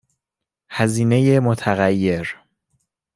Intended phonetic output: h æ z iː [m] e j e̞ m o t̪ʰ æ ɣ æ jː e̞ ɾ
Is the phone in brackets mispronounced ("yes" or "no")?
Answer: yes